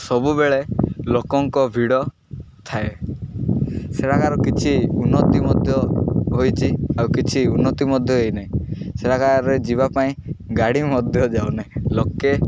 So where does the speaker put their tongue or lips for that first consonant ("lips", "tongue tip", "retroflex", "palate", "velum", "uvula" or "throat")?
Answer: tongue tip